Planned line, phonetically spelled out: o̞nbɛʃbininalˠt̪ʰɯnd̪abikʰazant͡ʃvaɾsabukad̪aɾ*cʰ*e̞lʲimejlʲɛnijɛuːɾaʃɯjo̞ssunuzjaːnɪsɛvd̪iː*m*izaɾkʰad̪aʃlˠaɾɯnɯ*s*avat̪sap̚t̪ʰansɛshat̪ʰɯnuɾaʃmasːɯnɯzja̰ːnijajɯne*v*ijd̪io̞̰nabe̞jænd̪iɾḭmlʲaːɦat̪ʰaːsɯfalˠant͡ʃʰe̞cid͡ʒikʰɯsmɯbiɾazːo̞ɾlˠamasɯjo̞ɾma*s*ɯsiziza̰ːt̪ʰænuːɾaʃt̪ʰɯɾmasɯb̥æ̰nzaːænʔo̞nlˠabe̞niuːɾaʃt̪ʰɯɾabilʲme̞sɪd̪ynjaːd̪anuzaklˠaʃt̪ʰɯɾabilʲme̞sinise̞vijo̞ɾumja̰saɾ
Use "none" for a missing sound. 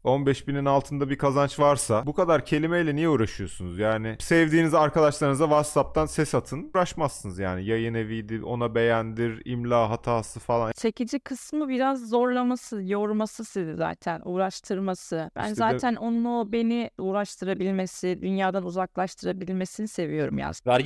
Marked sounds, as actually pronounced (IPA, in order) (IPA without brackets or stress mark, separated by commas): cʰ, n, z, v, s